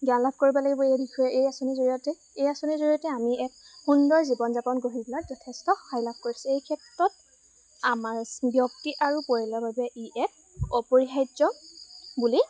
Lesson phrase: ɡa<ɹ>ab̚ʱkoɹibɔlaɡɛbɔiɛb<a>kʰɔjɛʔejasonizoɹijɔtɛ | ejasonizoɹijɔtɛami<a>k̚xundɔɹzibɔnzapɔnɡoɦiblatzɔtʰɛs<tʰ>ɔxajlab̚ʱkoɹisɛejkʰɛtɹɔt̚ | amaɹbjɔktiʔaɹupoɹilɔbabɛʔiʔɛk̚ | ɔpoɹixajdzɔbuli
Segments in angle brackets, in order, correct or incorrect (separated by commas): incorrect, incorrect, incorrect, incorrect